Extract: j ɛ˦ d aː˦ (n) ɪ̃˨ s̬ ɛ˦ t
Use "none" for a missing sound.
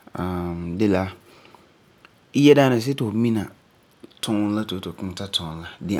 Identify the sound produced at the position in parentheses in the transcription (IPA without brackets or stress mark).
n